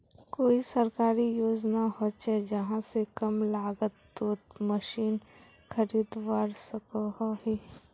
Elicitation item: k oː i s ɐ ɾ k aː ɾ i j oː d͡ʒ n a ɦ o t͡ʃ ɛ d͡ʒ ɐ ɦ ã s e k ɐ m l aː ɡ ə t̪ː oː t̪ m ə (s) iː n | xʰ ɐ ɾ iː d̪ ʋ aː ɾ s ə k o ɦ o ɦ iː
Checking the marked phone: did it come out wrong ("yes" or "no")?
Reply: yes